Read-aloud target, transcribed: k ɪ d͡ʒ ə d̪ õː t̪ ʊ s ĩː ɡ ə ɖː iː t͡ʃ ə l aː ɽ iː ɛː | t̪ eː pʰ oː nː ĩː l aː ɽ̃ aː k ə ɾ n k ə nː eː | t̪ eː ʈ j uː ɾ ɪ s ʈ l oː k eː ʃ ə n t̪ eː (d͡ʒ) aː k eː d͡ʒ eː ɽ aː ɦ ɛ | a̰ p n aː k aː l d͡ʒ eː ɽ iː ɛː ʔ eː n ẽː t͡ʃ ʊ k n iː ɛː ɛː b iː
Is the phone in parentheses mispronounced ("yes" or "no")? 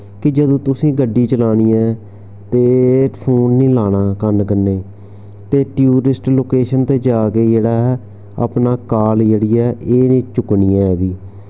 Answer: no